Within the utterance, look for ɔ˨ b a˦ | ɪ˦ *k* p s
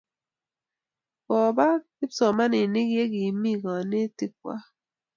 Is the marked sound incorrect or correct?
incorrect